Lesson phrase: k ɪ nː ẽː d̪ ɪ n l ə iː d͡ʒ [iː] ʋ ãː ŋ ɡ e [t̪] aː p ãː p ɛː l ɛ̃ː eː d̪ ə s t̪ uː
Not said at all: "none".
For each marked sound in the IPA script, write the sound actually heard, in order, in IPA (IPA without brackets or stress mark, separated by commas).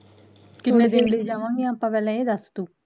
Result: aː, none